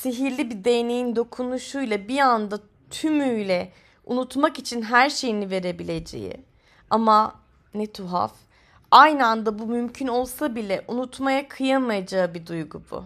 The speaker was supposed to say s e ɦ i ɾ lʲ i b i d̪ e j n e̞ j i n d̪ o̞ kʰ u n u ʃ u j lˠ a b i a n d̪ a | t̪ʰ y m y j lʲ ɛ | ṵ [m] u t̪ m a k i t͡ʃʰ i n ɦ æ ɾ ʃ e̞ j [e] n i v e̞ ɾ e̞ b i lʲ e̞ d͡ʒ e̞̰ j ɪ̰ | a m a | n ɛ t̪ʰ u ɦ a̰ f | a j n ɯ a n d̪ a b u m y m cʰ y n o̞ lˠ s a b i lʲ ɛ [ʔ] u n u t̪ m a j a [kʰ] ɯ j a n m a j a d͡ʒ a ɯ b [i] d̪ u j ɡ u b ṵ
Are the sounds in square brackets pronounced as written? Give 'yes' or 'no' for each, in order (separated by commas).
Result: no, no, yes, yes, yes